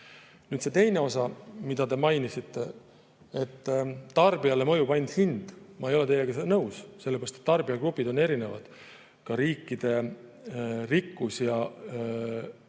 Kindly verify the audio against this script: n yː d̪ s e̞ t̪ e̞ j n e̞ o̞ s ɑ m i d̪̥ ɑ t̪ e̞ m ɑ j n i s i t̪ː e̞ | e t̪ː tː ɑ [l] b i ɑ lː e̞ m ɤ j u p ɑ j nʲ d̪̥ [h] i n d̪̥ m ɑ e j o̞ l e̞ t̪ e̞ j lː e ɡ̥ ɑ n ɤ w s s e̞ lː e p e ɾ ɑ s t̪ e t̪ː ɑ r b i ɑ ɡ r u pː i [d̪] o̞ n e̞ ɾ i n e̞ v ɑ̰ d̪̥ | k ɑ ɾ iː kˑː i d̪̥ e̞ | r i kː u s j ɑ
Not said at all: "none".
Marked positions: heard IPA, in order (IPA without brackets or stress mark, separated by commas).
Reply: r, h, d̪